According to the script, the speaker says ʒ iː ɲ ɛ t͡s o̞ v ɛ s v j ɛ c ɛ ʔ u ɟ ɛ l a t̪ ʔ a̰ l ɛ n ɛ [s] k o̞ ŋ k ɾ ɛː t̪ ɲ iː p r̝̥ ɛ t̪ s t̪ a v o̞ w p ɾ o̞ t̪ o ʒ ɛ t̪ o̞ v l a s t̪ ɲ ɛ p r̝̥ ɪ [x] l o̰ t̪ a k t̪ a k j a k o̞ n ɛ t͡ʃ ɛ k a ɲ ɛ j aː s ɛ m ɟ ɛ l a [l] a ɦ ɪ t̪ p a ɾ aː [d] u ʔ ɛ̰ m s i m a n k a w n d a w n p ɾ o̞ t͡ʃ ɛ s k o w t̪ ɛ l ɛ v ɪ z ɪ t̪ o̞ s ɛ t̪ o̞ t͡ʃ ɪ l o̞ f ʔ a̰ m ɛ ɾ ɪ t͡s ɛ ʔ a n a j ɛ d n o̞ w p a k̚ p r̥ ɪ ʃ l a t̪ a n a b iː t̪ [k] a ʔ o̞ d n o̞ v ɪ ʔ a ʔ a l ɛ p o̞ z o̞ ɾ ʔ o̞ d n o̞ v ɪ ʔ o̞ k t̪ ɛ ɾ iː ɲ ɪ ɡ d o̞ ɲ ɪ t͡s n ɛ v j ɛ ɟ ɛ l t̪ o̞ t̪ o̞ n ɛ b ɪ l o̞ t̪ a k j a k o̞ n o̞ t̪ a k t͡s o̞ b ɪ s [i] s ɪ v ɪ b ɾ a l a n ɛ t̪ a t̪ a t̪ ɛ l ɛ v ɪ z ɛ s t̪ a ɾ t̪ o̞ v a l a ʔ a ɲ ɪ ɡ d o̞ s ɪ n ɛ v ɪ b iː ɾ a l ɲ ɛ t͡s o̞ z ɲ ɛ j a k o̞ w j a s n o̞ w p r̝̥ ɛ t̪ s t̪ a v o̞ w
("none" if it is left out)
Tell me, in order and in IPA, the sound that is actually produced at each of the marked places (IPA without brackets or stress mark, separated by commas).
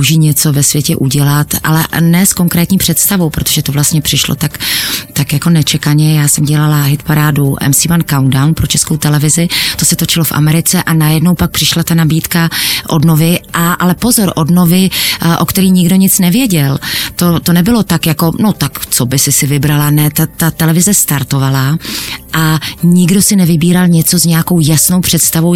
s, ʃ, l, d, k, ɪ